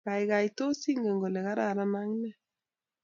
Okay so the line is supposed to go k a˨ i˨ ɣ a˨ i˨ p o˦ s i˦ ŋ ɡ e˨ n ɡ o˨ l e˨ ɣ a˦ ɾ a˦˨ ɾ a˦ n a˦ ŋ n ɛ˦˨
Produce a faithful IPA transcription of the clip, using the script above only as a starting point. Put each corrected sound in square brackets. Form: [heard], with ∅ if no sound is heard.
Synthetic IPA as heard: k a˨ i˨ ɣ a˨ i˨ [t] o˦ s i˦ ŋ ɡ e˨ [ŋ] ɡ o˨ l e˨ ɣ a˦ ɾ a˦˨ ɾ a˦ n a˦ ŋ n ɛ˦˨